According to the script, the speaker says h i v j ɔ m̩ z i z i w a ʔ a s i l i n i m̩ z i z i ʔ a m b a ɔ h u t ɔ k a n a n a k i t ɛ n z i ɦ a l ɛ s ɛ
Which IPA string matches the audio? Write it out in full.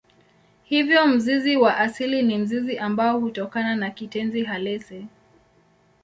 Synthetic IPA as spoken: h i v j ɔ m̩ z i z i w a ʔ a s i l i n i m̩ z i z i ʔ a m b a ɔ h u t ɔ k a n a n a k i t ɛ n z i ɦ a l ɛ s ɛ